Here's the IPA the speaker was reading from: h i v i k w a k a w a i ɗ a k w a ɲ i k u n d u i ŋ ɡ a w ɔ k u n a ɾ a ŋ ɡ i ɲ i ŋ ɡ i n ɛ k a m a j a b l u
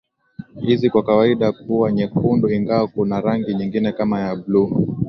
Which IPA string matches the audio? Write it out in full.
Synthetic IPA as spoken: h i z i k w a k a w a i ɗ a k u a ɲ ɛ k u n d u i ŋ ɡ a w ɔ k u n a ɾ a ŋ ɡ i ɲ i ŋ ɡ i n ɛ k a m a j a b l u